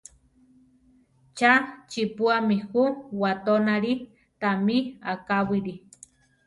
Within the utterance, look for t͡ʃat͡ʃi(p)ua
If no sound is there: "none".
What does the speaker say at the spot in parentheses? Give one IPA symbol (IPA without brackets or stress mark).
p